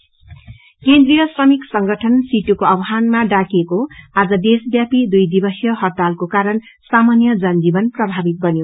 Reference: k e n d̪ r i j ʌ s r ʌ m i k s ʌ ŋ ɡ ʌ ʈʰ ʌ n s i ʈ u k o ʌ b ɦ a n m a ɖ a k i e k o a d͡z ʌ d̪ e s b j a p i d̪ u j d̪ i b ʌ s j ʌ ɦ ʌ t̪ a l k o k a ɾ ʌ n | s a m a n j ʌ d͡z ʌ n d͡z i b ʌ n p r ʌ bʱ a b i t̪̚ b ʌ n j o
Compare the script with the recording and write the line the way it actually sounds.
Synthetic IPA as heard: k e n d̪ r i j ʌ s r ʌ m i k s ʌ ŋ ɡ ʌ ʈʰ ʌ n s i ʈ u k o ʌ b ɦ a n m a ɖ a k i e k o a d͡z ʌ d̪ e s b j a p i d̪ u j d̪ i b ʌ s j ʌ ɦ ʌ t̪ a l k o k a ɾ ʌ n | s a m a n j ʌ d͡z ʌ n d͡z i b ʌ n p r ʌ bʱ a b i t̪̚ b ʌ n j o